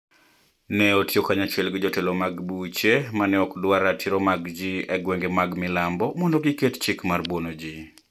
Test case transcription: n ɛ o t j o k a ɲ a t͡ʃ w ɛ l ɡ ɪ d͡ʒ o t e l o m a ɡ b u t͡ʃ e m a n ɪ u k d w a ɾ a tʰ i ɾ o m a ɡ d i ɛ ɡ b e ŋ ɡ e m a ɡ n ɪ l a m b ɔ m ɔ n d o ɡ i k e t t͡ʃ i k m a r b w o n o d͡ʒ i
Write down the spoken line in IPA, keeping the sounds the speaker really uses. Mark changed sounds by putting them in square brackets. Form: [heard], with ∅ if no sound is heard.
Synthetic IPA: n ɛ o t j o k a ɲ a t͡ʃ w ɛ l ɡ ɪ d͡ʒ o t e l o m a ɡ b u t͡ʃ e m a n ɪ [ɔ] k d w a ɾ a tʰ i ɾ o m a ɡ [d͡ʒ] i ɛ ɡ [w] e ŋ ɡ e m a ɡ [m] ɪ l a m b ɔ m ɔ n d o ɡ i k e t t͡ʃ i k m a r b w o n o d͡ʒ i